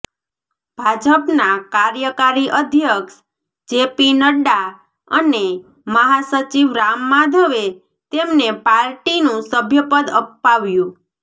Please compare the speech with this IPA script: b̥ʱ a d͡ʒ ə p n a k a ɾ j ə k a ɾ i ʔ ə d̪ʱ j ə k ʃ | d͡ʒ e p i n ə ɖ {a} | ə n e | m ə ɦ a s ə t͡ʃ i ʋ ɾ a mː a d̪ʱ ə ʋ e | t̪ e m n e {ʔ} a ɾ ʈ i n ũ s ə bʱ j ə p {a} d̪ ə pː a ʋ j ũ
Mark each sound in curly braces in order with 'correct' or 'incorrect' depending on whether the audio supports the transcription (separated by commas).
correct, incorrect, incorrect